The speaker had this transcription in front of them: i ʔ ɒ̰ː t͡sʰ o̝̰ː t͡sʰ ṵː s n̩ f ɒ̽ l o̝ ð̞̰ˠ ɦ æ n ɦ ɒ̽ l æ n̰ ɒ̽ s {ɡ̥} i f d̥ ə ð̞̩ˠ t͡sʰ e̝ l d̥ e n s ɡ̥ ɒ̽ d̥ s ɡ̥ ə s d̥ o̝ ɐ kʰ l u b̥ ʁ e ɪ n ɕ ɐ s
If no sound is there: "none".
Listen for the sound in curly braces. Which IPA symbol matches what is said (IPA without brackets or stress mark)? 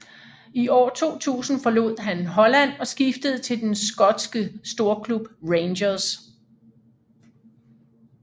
ɡ̥